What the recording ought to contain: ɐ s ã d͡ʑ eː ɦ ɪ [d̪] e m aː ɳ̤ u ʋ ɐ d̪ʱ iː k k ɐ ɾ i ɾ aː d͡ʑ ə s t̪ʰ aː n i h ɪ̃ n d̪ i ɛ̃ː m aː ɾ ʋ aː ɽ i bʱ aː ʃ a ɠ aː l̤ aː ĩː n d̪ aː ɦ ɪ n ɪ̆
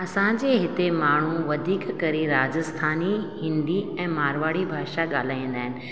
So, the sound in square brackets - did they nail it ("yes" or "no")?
no